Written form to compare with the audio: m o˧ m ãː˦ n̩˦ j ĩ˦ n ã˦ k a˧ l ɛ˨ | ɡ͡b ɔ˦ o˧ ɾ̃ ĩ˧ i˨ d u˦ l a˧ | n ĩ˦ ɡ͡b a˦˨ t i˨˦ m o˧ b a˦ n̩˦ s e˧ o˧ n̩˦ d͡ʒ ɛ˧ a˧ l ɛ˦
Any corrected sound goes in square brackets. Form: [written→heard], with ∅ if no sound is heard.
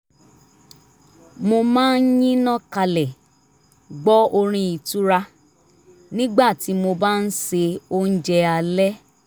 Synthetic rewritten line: m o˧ m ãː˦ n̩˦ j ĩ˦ n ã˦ k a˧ l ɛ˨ | ɡ͡b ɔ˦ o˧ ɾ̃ ĩ˧ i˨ [d→t] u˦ [l→ɾ] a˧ | n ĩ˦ ɡ͡b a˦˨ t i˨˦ m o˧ b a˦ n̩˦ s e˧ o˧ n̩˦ d͡ʒ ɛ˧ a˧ l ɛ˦